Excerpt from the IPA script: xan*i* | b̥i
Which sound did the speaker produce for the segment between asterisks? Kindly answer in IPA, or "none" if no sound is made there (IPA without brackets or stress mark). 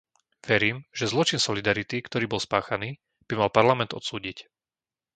iː